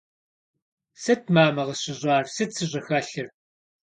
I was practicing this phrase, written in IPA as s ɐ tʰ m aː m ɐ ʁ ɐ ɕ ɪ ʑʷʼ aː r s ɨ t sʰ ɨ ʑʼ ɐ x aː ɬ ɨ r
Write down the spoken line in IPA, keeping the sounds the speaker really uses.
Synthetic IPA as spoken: s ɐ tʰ m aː m ɐ ʁ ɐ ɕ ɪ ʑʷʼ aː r s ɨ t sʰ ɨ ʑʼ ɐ x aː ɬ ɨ r